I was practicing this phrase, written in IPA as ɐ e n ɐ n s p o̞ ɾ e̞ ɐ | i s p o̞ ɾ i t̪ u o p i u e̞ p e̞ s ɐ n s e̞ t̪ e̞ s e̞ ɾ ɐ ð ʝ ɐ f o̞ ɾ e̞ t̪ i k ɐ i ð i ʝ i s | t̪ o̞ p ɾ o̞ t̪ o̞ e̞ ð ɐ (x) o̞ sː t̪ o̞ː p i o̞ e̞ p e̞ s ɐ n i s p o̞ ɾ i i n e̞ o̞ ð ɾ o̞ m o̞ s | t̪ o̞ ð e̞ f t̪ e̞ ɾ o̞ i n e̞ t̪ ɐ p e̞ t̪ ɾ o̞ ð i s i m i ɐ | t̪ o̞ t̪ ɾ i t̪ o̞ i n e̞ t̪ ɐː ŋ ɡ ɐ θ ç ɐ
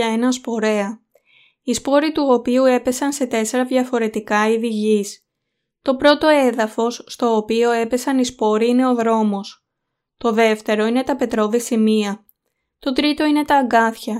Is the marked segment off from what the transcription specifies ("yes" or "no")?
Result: yes